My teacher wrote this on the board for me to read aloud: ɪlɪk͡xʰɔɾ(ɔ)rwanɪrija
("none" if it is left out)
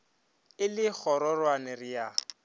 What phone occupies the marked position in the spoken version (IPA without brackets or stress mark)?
ɔ